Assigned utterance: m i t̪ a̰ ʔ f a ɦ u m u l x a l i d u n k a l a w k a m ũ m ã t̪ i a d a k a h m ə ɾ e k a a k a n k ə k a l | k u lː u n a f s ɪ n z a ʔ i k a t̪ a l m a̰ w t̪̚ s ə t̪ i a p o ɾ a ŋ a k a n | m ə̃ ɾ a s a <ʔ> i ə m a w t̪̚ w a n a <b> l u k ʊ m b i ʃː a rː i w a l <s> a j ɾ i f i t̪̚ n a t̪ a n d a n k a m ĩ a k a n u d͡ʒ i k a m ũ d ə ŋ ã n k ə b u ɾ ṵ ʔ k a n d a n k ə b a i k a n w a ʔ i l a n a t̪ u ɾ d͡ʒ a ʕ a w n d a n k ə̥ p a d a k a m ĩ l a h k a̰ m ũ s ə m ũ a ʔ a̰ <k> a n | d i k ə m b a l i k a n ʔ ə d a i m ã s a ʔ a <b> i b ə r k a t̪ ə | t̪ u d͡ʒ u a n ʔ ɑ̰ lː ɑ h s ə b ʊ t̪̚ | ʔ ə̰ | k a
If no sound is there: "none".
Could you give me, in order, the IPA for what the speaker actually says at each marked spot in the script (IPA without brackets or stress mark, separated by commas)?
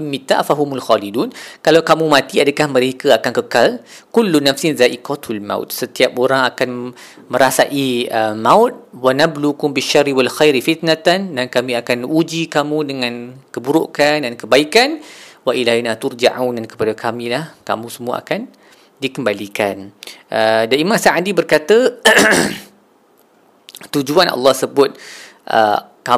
ʔ, b, x, k, d